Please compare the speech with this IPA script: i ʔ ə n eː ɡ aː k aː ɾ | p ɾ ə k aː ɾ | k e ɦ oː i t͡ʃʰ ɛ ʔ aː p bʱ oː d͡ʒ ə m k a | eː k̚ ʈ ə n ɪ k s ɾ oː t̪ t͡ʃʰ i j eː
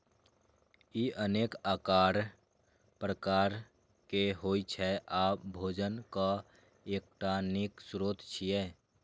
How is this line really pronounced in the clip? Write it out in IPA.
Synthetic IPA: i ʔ ə n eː k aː k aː ɾ | p ɾ ə k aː ɾ | k e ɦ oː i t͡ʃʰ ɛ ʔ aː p bʱ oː d͡ʒ ə n k a | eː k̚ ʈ a n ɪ k s ɾ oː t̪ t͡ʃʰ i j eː